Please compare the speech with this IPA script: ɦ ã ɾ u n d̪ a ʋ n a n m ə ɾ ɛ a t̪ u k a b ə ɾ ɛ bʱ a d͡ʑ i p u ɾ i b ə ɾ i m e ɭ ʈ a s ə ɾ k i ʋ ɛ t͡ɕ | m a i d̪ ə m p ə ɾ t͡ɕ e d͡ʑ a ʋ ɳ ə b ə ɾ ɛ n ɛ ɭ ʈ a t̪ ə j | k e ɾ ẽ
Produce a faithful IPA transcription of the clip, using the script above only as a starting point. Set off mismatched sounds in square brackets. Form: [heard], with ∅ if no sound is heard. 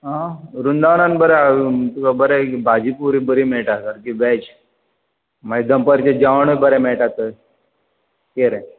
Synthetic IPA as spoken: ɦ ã ɾ u n d̪ a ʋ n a n [b] ə ɾ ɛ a t̪ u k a b ə ɾ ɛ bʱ a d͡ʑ i p u ɾ i b ə ɾ i m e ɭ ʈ a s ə ɾ k i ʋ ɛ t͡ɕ | m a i d̪ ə m p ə ɾ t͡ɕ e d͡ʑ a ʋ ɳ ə b ə ɾ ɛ [m] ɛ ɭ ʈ a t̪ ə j | k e ɾ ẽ